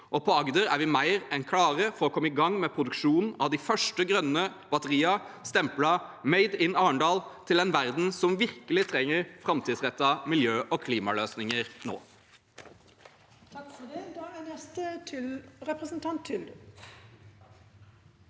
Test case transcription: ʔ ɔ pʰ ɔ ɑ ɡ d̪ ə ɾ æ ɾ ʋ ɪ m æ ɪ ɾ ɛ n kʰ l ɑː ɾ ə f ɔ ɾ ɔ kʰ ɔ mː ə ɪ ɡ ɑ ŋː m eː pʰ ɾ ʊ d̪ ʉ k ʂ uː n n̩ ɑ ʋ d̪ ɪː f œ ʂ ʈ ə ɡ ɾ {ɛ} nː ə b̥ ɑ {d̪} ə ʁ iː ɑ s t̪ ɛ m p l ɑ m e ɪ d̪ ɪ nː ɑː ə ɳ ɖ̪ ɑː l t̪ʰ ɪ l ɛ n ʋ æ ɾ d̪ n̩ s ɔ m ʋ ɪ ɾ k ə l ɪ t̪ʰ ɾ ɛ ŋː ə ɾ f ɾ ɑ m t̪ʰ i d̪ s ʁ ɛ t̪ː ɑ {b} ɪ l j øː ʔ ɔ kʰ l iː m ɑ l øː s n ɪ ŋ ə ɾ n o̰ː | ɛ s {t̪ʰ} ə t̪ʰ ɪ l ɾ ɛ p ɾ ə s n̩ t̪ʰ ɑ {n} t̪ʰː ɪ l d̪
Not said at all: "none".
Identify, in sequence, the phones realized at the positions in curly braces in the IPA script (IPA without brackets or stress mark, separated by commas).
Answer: œ, t̪, m, t̪, n